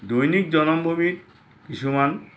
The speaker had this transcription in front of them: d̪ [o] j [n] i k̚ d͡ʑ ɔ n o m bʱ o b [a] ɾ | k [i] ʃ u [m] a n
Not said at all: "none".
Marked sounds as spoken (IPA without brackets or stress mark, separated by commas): o, n, i, i, m